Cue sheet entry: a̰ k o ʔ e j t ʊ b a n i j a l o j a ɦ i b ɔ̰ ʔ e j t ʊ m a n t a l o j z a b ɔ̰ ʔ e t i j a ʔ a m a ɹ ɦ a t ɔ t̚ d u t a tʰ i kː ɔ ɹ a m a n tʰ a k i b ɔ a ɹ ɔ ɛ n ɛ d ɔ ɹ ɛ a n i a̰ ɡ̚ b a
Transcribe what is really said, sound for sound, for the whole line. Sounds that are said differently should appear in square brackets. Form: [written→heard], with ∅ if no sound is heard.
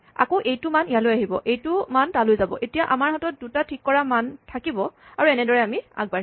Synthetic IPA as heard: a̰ k o ʔ e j t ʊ [b→m] a n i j a l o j a ɦ i b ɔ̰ ʔ e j t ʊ m a n t a l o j z a b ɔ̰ ʔ e t i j a ʔ a m a ɹ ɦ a t ɔ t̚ d u t a tʰ i kː ɔ ɹ a m a n tʰ a k i b ɔ a ɹ [ɔ→u] ɛ n ɛ d ɔ ɹ ɛ a [n→m] i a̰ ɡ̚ b a